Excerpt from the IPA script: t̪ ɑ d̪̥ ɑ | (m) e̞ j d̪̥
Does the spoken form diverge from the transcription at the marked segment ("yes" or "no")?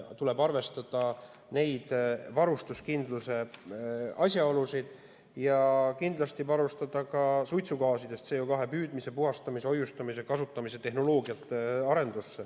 yes